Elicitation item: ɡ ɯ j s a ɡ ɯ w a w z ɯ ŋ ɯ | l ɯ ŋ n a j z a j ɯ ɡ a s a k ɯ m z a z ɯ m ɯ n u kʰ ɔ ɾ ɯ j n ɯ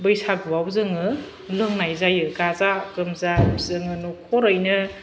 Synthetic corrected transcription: b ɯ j s a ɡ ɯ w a w z ɯ ŋ ɯ | l ɯ ŋ n a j z a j ɯ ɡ a z a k ɯ m z a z ɯ ŋ ɯ n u kʰ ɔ ɾ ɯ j n ɯ